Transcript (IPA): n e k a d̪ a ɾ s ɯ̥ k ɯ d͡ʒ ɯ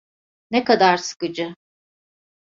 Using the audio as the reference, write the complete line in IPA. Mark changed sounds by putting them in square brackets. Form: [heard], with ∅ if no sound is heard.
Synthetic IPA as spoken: n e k a d̪ a ɾ s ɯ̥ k ɯ d͡ʒ ɯ